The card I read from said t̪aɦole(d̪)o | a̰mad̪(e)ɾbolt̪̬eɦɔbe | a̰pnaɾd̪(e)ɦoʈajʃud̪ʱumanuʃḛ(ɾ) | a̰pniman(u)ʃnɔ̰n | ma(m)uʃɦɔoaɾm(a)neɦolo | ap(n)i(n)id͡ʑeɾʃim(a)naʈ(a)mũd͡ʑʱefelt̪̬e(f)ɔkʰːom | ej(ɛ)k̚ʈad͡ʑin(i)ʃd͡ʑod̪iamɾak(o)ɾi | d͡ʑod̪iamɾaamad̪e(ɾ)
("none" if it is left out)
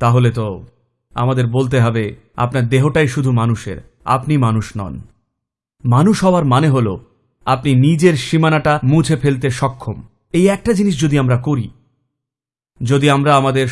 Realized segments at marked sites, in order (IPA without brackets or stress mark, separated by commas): t̪, e, e, ɾ, u, n, a, n, n, a, a, ʃ, ɛ, i, o, ɾ